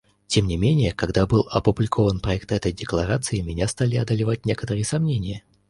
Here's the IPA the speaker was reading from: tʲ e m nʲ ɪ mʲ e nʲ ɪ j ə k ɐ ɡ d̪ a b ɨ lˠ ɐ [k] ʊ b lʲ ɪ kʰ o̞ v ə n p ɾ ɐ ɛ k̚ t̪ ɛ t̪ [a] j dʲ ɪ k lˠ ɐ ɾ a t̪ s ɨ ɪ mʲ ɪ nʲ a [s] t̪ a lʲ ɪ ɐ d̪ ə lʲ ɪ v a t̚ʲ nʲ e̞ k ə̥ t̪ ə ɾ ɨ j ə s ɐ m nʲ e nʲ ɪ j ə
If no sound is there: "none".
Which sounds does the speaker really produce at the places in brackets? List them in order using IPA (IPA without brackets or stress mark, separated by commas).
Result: p, ə, s